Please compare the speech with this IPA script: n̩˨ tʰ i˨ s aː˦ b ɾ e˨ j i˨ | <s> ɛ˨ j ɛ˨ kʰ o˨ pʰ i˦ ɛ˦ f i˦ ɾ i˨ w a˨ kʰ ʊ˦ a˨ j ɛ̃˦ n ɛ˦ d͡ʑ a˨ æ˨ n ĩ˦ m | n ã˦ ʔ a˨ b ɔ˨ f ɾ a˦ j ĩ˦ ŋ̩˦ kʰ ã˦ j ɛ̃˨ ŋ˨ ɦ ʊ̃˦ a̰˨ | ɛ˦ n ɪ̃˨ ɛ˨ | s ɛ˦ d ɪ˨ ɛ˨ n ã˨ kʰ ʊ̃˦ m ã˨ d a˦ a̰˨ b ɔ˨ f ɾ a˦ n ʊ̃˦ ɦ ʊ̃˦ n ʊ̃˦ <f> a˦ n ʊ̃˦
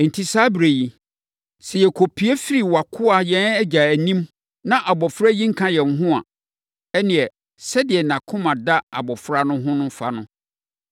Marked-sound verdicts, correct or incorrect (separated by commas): correct, correct